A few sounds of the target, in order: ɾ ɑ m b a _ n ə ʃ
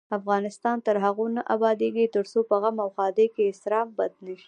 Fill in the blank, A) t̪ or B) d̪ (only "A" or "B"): B